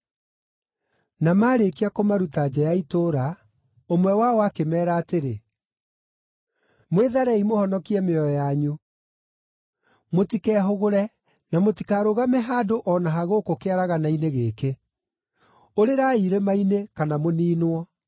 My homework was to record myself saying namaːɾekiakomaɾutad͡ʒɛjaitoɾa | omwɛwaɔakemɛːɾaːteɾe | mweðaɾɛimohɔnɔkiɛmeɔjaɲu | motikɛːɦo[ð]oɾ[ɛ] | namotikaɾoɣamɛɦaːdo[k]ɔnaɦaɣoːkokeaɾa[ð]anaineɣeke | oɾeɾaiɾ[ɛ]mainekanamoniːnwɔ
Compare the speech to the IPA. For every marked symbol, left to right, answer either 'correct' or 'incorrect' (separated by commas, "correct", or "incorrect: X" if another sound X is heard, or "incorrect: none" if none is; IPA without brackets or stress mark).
incorrect: ɣ, correct, incorrect: ʔ, incorrect: ɣ, incorrect: e